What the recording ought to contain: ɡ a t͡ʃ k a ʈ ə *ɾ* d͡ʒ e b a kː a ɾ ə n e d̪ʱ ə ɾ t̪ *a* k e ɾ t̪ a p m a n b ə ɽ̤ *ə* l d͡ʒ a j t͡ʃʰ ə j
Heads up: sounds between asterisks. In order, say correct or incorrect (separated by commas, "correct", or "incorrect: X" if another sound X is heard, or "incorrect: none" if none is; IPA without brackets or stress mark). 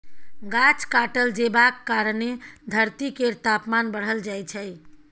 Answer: incorrect: l, incorrect: i, correct